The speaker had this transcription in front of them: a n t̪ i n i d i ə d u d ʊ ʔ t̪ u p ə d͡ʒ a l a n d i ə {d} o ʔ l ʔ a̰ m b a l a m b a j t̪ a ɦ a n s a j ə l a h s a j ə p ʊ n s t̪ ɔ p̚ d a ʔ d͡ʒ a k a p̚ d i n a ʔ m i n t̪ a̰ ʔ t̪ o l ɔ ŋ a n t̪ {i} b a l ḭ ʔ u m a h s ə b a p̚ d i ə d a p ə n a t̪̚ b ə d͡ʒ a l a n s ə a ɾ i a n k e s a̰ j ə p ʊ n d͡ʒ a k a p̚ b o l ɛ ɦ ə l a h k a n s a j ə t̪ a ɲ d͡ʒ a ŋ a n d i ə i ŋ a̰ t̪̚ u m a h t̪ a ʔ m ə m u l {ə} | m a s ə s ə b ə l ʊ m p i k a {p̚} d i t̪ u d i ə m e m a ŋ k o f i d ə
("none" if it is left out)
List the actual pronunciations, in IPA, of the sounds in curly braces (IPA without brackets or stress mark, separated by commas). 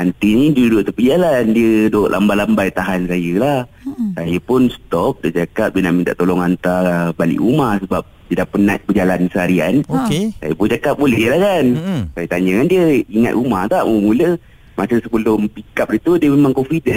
d, a, ə, p̚